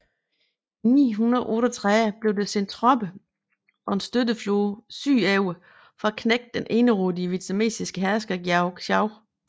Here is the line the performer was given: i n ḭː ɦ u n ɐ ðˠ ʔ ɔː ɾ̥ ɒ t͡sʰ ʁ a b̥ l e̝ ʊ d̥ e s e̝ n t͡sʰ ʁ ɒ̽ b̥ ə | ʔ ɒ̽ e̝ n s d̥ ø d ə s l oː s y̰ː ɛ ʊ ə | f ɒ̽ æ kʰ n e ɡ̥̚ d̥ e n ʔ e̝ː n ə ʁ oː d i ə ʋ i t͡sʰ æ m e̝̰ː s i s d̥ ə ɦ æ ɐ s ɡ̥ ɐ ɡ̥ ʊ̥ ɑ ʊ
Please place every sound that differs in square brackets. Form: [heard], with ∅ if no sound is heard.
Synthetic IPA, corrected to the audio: i n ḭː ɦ u n ɐ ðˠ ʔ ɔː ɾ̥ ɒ t͡sʰ ʁ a b̥ l e̝ ʊ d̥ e s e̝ n t͡sʰ ʁ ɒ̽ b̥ ə | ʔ ɒ̽ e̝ n s d̥ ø d ə [f] l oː s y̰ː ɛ ʊ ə | f ɒ̽ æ kʰ n e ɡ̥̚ d̥ e n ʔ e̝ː n ə ʁ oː d i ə ʋ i t͡sʰ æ m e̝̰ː s i s [ɡ̥] ə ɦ æ ɐ s ɡ̥ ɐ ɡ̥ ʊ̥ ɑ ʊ